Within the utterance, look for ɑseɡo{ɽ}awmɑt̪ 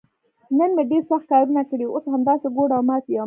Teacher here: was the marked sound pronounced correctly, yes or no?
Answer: yes